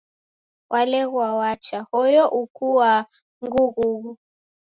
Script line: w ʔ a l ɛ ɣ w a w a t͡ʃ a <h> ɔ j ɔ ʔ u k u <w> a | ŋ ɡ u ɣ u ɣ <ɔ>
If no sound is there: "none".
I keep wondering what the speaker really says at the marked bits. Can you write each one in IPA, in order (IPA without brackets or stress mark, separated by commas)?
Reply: h, w, u